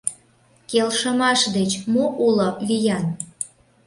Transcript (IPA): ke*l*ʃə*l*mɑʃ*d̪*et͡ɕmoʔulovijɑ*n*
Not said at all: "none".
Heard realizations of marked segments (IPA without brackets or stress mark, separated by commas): l, none, d̪, n